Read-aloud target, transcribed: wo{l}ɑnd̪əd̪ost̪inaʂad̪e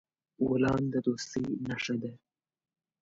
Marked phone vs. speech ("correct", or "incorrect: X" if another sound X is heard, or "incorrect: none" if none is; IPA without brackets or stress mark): correct